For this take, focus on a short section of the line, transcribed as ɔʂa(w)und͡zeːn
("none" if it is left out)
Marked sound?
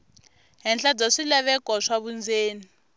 β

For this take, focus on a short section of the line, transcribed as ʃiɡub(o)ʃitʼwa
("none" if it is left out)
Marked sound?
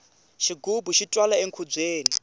u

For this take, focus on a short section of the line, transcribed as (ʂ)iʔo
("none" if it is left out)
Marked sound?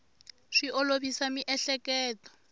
ʂ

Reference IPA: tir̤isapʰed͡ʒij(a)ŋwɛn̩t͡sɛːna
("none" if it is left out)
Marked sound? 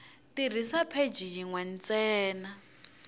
i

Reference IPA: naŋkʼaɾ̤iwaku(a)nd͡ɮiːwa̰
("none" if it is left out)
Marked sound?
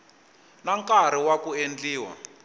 e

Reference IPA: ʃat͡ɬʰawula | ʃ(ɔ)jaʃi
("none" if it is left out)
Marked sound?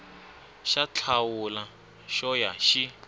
ɔ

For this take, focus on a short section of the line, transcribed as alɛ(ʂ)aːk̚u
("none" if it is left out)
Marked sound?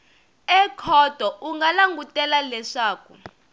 ʂ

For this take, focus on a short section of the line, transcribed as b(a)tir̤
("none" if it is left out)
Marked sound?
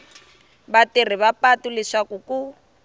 a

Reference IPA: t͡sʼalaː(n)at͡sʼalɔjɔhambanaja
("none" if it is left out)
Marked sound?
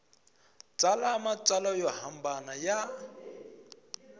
m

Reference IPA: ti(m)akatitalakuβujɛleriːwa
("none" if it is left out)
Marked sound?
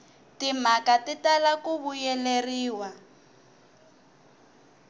m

